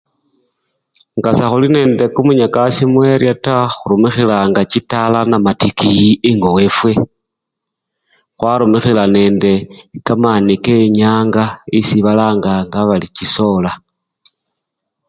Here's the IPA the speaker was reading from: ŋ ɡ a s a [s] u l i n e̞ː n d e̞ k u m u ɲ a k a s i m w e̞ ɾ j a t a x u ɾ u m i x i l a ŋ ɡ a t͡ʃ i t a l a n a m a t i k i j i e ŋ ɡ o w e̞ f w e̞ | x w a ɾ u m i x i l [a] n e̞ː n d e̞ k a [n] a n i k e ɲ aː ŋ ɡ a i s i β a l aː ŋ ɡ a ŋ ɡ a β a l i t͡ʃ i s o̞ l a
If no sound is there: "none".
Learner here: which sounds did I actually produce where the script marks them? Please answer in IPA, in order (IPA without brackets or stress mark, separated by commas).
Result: x, a, m